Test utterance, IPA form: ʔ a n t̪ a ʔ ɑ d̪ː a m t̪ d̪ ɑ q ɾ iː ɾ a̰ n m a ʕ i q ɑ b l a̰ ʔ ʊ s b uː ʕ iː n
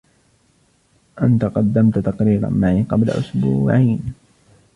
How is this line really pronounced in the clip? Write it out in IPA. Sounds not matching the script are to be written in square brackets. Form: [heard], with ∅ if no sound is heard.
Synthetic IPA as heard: ʔ a n t̪ a [q] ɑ d̪ː a m t̪ [t̪] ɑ q ɾ iː ɾ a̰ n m a ʕ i q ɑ b l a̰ ʔ ʊ s b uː ʕ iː n